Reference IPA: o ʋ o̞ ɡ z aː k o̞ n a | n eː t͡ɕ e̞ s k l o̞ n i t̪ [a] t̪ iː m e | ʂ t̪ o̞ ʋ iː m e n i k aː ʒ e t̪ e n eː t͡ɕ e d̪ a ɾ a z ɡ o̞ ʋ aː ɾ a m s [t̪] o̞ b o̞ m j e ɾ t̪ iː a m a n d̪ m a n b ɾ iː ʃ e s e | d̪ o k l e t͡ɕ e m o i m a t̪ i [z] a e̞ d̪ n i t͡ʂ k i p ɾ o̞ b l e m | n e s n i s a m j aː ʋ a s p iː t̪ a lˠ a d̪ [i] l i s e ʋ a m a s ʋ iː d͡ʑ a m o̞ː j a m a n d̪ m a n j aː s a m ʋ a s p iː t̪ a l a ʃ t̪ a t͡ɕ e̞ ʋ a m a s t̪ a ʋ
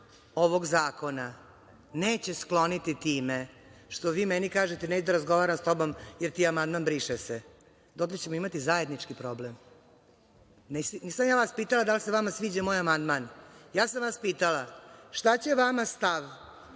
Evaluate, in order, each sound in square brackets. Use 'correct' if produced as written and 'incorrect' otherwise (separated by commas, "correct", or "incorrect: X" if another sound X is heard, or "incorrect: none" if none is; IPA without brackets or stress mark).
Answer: incorrect: i, correct, correct, incorrect: a